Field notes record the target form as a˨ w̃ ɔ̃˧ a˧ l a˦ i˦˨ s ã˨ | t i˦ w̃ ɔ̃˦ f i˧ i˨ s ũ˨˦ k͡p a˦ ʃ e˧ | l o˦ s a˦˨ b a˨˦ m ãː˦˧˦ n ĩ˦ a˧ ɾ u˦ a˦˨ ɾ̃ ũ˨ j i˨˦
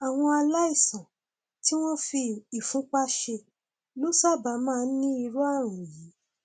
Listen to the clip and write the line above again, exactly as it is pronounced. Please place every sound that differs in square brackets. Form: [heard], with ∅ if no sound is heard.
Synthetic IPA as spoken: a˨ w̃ ɔ̃˧ a˧ l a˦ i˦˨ s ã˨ | t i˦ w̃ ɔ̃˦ f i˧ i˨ [f] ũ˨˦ k͡p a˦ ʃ e˧ | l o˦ s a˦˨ b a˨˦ m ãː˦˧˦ n ĩ˦ [i˧] ɾ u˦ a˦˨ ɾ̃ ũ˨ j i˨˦